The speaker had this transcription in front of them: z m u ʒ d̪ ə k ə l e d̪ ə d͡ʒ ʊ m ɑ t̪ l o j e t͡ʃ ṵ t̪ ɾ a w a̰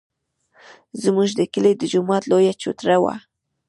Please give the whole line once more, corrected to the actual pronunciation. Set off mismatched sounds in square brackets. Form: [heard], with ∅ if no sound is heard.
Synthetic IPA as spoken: z m u ʒ d̪ ə k ə l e d̪ ə d͡ʒ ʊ m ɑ t̪ l o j [a] t͡ʃ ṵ t̪ ɾ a w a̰